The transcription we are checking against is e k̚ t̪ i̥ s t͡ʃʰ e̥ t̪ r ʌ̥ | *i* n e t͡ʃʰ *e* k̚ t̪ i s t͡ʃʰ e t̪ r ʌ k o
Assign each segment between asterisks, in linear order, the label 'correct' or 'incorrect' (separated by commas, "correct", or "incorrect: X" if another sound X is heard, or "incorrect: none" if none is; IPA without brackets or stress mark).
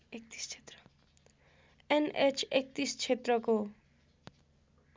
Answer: incorrect: e, correct